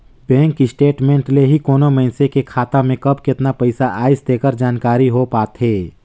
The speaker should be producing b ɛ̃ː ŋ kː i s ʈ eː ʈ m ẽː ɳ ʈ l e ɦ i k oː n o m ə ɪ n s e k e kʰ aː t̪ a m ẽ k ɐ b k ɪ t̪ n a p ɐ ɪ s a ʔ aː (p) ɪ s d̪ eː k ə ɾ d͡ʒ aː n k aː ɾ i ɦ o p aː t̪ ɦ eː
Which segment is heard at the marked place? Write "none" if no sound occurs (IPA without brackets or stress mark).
none